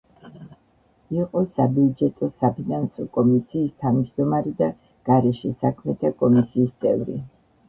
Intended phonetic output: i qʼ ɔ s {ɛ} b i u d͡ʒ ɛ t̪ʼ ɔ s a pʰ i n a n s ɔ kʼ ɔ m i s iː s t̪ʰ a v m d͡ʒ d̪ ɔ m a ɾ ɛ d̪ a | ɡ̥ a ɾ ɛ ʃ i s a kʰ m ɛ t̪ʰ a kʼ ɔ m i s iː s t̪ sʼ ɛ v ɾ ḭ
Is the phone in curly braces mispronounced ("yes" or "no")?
yes